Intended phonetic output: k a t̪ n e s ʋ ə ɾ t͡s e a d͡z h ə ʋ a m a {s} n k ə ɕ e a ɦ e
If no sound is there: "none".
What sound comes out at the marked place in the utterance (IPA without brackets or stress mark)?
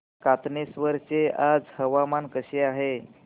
none